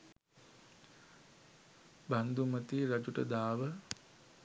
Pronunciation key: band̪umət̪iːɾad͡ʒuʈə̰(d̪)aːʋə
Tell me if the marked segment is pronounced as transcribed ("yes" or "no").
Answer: yes